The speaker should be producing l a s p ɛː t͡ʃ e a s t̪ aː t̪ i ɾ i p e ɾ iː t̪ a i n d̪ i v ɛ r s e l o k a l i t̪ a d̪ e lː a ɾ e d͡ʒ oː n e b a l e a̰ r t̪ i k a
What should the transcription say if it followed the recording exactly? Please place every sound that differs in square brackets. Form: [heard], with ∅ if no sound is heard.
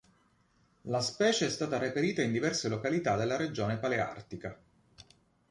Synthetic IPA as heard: l a s p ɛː t͡ʃ e [ɛ] s t̪ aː t̪ [a] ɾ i p e ɾ iː t̪ a i n d̪ i v ɛ r s e l o k a l i t̪ a d̪ e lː a ɾ e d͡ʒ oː n e [p] a l e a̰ r t̪ i k a

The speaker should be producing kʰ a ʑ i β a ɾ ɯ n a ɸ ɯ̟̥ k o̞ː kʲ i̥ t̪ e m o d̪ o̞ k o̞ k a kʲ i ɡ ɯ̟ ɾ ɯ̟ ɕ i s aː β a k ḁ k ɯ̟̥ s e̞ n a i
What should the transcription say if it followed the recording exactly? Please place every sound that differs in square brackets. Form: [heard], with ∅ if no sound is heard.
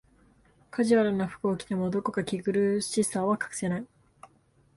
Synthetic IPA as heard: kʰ a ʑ i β a ɾ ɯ n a ɸ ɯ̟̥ k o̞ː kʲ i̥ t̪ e m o d̪ o̞ k o̞ k a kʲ i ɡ ɯ̟ ɾ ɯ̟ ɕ i s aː β a k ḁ k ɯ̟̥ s e̞ n a i

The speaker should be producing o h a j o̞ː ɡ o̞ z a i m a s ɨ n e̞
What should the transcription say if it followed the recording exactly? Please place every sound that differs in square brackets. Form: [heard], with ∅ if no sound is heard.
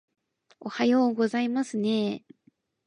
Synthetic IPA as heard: o h a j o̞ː ɡ o̞ z a i m a s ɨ n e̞

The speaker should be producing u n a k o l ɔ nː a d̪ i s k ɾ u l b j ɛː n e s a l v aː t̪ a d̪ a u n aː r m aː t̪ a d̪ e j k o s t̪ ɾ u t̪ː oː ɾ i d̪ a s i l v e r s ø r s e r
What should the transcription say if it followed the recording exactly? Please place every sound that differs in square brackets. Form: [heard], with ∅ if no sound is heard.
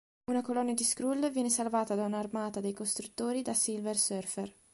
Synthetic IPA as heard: u n a k o l ɔ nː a d̪ i s k ɾ u l [v] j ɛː n e s a l v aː t̪ a d̪ a u n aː r m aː t̪ a d̪ e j k o s t̪ ɾ u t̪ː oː ɾ i d̪ a s i l v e r s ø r [f] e r

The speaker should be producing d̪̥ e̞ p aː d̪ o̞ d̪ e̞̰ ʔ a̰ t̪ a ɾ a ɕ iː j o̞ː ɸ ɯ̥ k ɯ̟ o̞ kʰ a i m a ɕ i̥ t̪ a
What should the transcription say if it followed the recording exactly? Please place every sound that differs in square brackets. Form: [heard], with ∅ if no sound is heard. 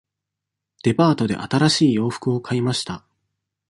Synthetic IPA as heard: d̪̥ e̞ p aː [t̪] o̞ d̪ e̞̰ ʔ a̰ t̪ a ɾ a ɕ iː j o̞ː ɸ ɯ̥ k ɯ̟ o̞ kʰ a i m a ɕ i̥ t̪ a

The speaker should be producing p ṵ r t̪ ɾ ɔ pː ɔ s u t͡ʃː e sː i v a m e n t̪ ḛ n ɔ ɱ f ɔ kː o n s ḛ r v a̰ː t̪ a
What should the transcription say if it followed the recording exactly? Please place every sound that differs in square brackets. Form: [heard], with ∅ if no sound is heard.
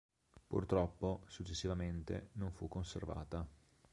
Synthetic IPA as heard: p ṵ r t̪ ɾ ɔ pː [o] s u t͡ʃː e sː i v a m e n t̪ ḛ n [o] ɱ f [u] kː o n s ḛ r v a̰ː t̪ a

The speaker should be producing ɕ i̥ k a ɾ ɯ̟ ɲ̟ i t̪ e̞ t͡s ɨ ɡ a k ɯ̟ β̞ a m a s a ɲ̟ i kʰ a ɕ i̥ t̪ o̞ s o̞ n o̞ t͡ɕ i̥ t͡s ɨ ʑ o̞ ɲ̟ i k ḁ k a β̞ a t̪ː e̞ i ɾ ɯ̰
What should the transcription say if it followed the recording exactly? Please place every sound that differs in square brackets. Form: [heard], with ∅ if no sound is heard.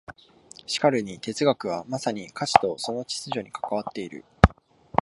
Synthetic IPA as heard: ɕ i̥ k a ɾ ɯ̟ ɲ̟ i t̪ e̞ t͡s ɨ ɡ a k ɯ̟ β̞ a m a s a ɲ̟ i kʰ a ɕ i̥ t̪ o̞ s o̞ n o̞ t͡ɕ i̥ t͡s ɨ ʑ o̞ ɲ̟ i k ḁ k a β̞ a t̪ː e̞ i ɾ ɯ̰

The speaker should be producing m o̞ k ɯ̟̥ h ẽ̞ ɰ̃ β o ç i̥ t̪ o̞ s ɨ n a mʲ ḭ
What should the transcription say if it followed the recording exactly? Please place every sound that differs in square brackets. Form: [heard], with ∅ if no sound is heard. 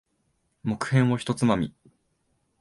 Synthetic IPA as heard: m o̞ k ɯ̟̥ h ẽ̞ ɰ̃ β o ç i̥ t̪ o̞ [t͡s] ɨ [m] a mʲ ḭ

